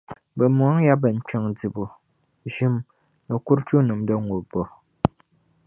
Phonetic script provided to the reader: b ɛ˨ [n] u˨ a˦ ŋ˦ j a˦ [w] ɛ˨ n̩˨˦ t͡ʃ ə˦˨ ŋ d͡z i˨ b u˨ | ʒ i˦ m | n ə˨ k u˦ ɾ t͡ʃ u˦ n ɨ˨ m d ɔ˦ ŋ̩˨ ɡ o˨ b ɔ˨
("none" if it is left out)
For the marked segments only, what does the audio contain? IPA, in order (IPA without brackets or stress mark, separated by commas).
m, b